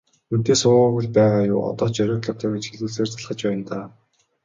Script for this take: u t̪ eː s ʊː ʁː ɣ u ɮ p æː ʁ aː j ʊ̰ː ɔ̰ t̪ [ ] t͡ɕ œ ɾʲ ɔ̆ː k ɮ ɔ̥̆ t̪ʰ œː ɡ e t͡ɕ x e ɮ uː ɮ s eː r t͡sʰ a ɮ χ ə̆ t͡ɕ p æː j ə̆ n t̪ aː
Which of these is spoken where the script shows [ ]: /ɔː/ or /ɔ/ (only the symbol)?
ɔː